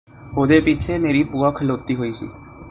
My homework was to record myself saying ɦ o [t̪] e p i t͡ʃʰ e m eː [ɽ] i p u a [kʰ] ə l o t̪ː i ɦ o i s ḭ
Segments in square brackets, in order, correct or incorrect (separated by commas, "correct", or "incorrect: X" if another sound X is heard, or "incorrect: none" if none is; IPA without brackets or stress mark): incorrect: d̪, incorrect: ɾ, correct